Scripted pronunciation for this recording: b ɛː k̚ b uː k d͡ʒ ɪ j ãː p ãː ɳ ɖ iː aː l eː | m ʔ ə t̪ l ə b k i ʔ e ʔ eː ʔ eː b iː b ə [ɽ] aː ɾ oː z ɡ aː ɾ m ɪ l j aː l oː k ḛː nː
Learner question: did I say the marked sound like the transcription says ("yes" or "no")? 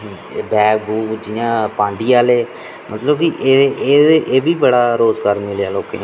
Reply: yes